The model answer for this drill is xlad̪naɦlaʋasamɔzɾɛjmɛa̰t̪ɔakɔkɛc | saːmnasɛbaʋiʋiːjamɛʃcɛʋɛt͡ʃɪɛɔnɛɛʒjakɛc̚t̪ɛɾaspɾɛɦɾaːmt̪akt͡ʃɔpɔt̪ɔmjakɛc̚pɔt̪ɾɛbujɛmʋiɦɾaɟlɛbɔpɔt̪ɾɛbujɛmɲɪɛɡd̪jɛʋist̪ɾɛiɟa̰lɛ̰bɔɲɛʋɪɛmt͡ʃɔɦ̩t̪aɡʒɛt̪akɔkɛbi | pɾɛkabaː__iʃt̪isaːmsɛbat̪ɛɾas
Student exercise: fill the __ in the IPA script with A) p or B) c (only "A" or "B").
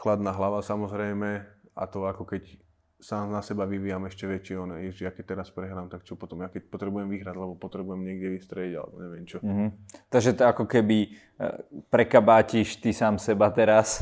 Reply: B